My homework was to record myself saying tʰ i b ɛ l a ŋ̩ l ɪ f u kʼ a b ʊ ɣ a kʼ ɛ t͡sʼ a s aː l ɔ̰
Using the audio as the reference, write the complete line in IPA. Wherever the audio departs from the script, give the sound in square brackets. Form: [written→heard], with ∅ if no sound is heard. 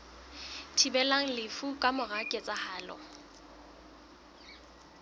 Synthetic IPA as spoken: tʰ i b ɛ l a ŋ̩ l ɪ f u kʼ a [b→m] ʊ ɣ a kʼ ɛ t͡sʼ a [s→h] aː l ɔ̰